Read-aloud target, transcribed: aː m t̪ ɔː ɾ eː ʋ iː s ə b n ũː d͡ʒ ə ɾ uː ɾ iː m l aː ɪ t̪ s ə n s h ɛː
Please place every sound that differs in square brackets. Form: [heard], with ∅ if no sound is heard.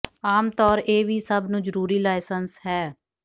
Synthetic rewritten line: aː m t̪ ɔː ɾ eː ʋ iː s ə b n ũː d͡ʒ ə ɾ uː ɾ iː [∅] l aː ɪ [∅] s ə n s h ɛː